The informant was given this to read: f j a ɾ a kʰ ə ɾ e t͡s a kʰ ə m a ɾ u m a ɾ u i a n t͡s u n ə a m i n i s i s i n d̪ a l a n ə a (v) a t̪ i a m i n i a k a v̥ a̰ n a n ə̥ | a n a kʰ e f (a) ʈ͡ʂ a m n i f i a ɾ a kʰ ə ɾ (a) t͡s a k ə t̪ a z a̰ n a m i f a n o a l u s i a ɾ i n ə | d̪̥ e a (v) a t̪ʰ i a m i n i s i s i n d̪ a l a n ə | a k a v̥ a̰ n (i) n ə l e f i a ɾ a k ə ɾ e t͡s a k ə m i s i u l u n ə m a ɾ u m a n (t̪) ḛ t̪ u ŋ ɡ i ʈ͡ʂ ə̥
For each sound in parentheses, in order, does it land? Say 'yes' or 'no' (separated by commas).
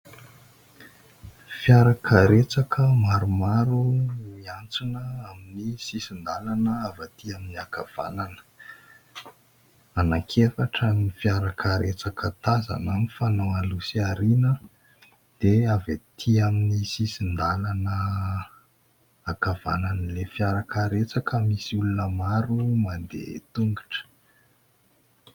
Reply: yes, yes, no, yes, no, no